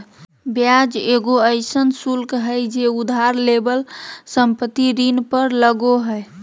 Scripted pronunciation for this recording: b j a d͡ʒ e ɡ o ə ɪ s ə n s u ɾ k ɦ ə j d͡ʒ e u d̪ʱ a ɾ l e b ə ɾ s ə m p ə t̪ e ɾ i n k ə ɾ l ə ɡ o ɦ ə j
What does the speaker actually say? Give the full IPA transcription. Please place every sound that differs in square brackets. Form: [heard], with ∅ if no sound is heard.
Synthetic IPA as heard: b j a d͡ʒ e ɡ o ə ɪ s ə n s u [l] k ɦ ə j d͡ʒ e u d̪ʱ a ɾ l e b ə [l] s ə m p ə t̪ [i] ɾ i n [p] ə ɾ l ə ɡ o ɦ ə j